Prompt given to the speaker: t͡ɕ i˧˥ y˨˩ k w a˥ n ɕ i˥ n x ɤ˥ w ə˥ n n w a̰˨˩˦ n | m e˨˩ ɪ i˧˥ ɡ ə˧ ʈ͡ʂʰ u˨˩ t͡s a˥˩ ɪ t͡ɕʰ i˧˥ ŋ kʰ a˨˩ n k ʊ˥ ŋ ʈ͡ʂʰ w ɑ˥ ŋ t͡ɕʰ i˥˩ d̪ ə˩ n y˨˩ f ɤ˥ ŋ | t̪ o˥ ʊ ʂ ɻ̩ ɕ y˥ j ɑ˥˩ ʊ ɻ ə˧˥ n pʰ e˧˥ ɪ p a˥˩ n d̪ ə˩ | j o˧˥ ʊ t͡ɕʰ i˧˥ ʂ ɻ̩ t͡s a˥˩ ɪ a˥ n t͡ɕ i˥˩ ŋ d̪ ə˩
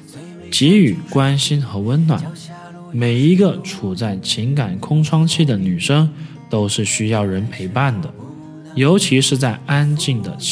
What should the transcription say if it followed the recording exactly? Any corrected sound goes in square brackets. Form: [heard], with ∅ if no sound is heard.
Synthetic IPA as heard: t͡ɕ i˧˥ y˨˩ k w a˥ n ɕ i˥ n x [ɤ˧˥] w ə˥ n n w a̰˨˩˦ n | m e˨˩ ɪ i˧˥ ɡ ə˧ ʈ͡ʂʰ u˨˩ t͡s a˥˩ ɪ t͡ɕʰ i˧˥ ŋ [k] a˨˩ n [kʰ] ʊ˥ ŋ ʈ͡ʂʰ w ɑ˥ ŋ t͡ɕʰ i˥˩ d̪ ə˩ n y˨˩ [ʂ] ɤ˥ ŋ | t̪ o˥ ʊ ʂ ɻ̩ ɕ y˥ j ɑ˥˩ ʊ ɻ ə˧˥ n pʰ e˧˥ ɪ p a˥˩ n d̪ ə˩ | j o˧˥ ʊ t͡ɕʰ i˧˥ ʂ ɻ̩ t͡s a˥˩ ɪ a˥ n t͡ɕ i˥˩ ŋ d̪ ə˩